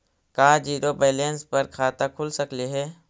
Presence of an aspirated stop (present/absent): present